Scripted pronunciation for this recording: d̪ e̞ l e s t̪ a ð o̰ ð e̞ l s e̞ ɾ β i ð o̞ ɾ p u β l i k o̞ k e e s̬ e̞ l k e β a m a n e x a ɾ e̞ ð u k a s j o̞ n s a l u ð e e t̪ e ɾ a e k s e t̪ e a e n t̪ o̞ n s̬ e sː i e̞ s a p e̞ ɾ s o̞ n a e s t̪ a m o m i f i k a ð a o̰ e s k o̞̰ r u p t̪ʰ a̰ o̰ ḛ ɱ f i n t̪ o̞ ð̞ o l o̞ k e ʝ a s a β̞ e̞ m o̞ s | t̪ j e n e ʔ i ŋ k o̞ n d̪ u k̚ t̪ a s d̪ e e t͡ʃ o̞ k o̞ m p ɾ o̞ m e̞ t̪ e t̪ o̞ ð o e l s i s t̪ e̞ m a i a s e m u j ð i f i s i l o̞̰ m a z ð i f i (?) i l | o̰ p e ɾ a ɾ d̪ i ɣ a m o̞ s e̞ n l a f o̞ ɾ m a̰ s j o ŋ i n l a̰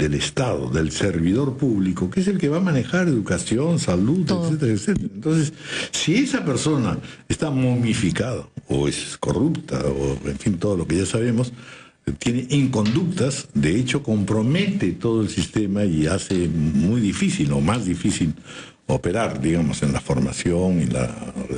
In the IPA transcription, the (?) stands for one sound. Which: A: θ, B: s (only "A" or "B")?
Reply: B